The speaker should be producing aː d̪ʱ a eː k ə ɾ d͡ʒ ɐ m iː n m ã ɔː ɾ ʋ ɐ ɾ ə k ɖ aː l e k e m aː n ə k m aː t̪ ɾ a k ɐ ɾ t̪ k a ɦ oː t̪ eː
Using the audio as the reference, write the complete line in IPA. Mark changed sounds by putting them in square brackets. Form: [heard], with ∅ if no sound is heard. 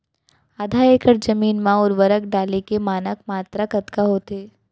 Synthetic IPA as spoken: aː d̪ʱ a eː k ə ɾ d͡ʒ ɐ m iː n m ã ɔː ɾ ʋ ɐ ɾ ə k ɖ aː l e k e m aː n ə k m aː t̪ ɾ a k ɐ [∅] t̪ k a ɦ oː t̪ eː